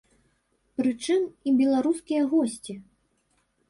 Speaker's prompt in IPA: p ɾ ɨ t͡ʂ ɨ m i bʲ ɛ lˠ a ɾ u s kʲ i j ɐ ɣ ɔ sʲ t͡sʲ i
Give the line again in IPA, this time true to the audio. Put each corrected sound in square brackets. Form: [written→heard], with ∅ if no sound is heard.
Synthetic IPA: p ɾ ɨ t͡ʂ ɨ m i bʲ ɛ lˠ a ɾ u s kʲ i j ɐ ɣ ɔ sʲ t͡sʲ i